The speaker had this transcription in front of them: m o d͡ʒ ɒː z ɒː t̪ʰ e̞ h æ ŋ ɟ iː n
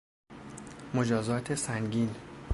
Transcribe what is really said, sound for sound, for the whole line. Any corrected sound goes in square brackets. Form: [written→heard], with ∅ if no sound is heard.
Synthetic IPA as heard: m o d͡ʒ ɒː z ɒː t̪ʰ e̞ [h→s] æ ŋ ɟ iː n